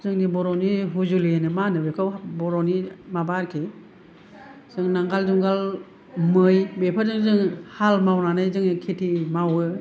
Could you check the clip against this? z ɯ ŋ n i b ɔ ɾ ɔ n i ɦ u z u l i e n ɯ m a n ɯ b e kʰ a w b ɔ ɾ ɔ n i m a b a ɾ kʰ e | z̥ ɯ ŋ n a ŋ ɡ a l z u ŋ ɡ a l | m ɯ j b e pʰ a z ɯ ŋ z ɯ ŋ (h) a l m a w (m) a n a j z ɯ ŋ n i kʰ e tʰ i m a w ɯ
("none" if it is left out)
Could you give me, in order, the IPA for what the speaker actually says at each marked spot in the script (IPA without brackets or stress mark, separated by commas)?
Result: h, n